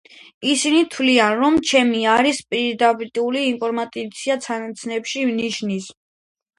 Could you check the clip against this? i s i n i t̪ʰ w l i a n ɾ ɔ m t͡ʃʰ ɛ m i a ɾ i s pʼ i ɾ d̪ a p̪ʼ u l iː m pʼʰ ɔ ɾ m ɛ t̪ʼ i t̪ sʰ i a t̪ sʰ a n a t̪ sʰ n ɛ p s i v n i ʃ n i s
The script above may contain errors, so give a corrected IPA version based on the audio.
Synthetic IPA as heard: i s i n i t̪ʰ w l i a n ɾ ɔ m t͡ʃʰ ɛ m i a ɾ i s pʼ i ɾ d̪ a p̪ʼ u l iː m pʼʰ ɔ ɾ m a t̪ʼ i t̪ sʰ i a t̪ sʰ a n a t̪ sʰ n ɛ p ʃ i v n i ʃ n i s